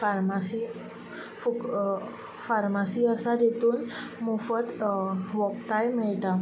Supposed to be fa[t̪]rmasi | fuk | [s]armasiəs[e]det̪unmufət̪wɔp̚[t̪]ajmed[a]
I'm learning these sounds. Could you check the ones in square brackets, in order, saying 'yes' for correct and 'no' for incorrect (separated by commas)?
no, no, no, yes, yes